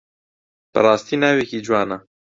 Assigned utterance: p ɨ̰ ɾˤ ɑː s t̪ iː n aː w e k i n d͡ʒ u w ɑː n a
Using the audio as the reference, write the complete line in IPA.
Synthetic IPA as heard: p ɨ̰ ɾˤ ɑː s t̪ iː n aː w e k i d͡ʒ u w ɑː n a